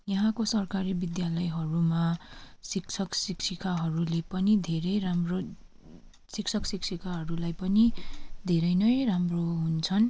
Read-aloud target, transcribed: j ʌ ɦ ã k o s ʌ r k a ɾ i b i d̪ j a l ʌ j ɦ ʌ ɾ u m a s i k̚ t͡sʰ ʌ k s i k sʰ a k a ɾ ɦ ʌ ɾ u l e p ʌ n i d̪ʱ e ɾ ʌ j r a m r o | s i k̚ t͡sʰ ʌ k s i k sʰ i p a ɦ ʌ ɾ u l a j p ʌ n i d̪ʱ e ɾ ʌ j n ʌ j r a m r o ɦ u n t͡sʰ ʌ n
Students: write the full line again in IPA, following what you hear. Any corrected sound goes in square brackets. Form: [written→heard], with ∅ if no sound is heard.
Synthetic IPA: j ʌ ɦ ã k o s ʌ r k a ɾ i b i d̪ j a l ʌ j ɦ ʌ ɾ u m a s i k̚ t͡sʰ ʌ k s i k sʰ [a→i] k a [ɾ→∅] ɦ ʌ ɾ u l e p ʌ n i d̪ʱ e ɾ ʌ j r a m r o | s i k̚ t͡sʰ ʌ k s i k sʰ i [p→k] a ɦ ʌ ɾ u l a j p ʌ n i d̪ʱ e ɾ ʌ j n ʌ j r a m r o ɦ u n t͡sʰ ʌ n